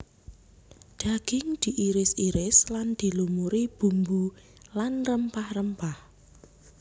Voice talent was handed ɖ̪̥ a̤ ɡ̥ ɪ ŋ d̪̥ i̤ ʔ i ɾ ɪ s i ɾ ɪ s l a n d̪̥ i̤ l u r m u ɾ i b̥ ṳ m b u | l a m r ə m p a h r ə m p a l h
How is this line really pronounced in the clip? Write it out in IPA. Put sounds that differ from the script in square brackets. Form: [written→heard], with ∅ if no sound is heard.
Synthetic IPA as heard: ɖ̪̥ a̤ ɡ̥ ɪ ŋ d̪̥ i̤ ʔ i ɾ ɪ s i ɾ ɪ s l a n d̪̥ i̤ l u [r→∅] m u ɾ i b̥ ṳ m b u | l a [m→n] r ə m p a h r ə m p a [l→∅] h